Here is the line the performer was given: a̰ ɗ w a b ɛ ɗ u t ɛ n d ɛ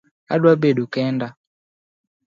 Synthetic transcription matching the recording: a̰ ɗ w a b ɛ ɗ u k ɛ n d a

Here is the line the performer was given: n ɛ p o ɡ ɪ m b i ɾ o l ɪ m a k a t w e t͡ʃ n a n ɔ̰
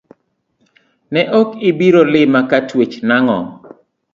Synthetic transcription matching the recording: n ɛ ʔ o k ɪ b i ɾ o l ɪ m a k a t w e t͡ʃ n a ŋ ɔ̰

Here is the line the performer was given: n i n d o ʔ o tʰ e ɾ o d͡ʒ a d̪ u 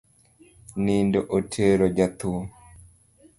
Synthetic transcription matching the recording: n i n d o ʔ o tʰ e ɾ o d͡ʒ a t̪ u

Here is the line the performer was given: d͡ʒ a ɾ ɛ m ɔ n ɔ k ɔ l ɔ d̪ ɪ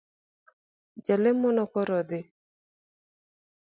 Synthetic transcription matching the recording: d͡ʒ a l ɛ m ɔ n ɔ k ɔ ɾ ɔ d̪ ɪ

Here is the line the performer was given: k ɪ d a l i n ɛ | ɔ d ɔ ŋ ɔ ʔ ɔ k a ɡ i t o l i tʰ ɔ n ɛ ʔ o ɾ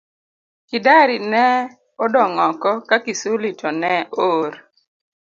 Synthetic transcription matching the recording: k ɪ d a ɾ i n ɛ | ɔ d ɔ ŋ ɔ k ɔ k a k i s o l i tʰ ɔ n ɛ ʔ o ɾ

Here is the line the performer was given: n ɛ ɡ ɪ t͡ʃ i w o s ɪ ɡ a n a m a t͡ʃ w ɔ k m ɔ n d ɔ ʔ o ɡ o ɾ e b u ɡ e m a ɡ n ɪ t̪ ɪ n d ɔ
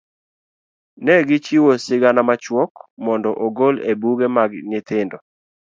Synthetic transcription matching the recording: n ɛ ɡ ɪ t͡ʃ i w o s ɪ ɡ a n a m a t͡ʃ w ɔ k m ɔ n d ɔ ʔ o ɡ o l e b u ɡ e m a ɡ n ɪ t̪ ɪ n d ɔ

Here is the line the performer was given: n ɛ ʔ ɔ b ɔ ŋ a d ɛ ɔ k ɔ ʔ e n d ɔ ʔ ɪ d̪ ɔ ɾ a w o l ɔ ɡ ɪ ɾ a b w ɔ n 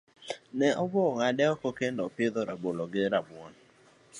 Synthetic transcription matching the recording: n ɛ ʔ ɔ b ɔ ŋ a d ɛ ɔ k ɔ k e n d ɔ p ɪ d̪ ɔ ɾ a b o l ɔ ɡ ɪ ɾ a b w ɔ n

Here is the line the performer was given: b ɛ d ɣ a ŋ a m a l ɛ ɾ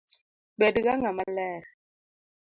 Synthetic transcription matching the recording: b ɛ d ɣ a ŋ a m a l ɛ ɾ

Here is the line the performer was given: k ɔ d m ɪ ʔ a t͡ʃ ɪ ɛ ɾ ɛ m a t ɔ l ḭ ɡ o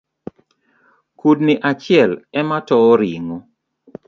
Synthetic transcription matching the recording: k u d n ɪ ʔ a t͡ʃ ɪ ɛ l ɛ m a t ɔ ɾ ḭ ŋ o

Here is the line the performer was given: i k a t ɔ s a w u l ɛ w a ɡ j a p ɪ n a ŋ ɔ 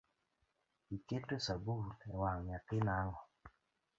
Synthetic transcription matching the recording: i k e t o s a b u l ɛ w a ŋ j a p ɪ n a ŋ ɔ

